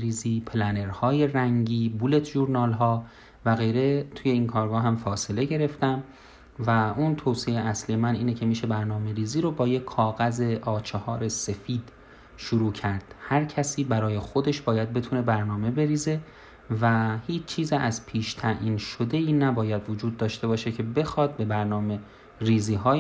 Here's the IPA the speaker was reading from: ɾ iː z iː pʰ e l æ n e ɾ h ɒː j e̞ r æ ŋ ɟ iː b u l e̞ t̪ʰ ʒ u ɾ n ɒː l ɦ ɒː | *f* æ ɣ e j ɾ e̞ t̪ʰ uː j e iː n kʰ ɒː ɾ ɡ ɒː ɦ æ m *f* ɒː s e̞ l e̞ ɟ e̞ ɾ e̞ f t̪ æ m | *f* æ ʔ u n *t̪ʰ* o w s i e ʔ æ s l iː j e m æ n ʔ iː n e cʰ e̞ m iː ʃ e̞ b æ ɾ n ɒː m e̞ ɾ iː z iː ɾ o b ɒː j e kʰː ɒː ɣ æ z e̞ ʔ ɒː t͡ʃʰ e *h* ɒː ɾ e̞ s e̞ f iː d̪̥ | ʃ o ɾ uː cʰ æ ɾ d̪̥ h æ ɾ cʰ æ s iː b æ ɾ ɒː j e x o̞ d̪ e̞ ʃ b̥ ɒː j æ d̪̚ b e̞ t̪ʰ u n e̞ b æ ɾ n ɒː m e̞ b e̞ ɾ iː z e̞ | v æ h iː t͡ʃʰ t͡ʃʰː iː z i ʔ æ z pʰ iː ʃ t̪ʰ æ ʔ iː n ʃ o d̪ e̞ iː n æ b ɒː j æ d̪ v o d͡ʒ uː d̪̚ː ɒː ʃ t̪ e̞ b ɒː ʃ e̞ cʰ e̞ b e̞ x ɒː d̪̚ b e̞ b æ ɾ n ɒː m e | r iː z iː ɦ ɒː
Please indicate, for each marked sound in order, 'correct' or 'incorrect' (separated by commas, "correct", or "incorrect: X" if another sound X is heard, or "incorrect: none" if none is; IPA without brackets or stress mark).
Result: incorrect: v, correct, incorrect: v, correct, correct